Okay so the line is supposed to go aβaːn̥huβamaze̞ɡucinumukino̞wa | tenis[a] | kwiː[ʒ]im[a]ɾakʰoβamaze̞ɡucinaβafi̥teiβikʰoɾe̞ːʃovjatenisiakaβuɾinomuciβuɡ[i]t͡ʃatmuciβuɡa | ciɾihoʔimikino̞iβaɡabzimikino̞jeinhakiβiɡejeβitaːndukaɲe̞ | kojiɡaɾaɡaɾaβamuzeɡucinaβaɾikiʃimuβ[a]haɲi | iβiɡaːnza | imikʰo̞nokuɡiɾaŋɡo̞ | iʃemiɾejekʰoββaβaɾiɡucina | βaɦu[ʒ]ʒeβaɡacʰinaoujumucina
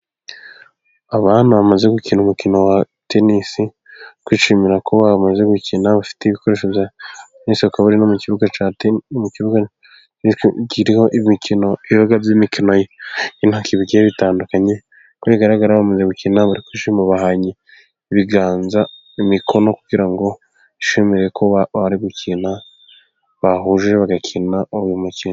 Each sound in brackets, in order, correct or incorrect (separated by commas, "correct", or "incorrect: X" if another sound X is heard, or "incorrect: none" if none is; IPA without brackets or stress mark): incorrect: i, incorrect: ʃ, incorrect: i, incorrect: a, correct, correct